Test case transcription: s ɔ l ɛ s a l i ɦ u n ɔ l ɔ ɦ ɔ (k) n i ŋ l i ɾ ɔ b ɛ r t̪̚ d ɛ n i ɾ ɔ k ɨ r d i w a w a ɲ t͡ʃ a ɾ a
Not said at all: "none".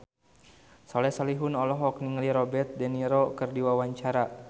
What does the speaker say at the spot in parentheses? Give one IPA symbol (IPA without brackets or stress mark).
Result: k